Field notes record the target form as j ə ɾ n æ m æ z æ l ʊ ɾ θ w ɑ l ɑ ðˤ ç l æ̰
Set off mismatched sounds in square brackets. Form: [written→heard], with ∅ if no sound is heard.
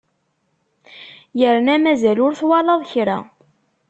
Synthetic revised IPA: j ə ɾ n æ m æ z æ l ʊ ɾ θ w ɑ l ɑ ðˤ ç [l→ɾ] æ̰